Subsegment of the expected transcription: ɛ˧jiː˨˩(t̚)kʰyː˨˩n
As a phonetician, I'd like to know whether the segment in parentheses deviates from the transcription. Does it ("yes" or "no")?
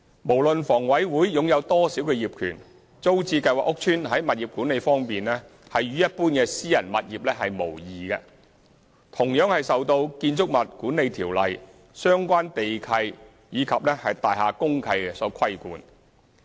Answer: yes